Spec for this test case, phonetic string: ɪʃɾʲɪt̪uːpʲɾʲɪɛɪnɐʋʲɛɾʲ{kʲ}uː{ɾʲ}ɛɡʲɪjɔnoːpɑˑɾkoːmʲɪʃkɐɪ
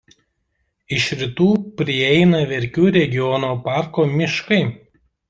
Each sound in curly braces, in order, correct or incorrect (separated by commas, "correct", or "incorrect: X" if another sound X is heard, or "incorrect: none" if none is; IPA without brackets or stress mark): correct, correct